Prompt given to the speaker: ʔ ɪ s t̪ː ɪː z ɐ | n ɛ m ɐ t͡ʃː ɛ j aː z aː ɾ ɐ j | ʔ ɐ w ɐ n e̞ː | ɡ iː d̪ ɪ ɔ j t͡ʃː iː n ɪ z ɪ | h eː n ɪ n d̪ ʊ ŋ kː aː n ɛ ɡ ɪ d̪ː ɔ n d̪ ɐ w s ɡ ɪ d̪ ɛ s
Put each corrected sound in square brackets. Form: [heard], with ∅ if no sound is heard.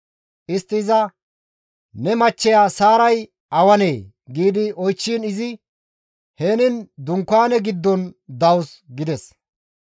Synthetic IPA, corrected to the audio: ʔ ɪ s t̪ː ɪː z ɐ | n ɛ m ɐ t͡ʃː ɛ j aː [s] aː ɾ ɐ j | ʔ ɐ w ɐ n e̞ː | ɡ iː d̪ ɪ ɔ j t͡ʃː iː n ɪ z ɪ | h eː n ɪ n d̪ ʊ ŋ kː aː n ɛ ɡ ɪ d̪ː ɔ n d̪ ɐ w s ɡ ɪ d̪ ɛ s